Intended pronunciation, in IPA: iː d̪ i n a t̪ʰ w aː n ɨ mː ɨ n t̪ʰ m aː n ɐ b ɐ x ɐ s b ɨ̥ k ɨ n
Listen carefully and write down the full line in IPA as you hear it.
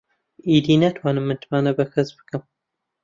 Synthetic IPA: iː d̪ i n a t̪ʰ w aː n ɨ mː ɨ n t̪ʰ m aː n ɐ b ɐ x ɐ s b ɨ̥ k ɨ m